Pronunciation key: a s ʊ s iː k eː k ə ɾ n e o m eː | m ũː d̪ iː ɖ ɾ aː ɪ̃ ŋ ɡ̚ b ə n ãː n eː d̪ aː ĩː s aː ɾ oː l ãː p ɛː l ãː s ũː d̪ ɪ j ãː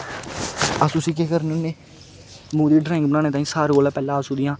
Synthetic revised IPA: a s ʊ s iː k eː k ə ɾ n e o n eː | m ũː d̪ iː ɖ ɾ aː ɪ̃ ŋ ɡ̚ b ə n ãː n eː t̪ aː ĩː s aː ɾ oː l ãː p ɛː l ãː s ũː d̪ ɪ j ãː